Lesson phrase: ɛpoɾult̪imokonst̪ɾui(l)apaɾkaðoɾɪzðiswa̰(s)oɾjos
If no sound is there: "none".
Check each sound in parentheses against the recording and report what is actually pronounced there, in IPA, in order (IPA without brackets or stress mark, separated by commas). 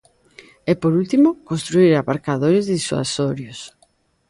ɾ, s